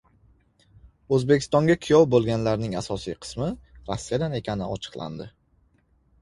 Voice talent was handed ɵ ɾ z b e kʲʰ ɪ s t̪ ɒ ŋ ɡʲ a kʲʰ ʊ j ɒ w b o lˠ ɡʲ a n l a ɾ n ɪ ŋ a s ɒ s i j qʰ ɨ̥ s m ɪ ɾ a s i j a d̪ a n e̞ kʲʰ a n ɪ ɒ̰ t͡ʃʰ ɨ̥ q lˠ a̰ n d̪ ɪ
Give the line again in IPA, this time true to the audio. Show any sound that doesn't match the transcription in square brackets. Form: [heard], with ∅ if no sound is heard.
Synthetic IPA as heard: ɵ [∅] z b e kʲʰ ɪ s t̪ ɒ ŋ ɡʲ a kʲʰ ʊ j ɒ w b o lˠ ɡʲ a n l a ɾ n ɪ ŋ a s ɒ s i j qʰ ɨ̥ s m ɪ ɾ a [sː] i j a d̪ a n e̞ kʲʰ a n ɪ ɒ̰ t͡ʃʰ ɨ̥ q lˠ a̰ n d̪ ɪ